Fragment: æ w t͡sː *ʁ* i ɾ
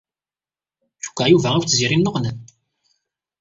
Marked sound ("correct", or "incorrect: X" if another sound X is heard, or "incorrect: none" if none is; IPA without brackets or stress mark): incorrect: z